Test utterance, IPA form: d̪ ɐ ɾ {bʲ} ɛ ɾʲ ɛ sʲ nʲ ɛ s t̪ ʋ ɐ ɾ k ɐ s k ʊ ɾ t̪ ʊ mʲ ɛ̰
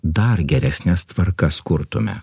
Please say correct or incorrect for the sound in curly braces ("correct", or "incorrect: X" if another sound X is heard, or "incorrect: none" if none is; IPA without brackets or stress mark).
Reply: incorrect: ɡʲ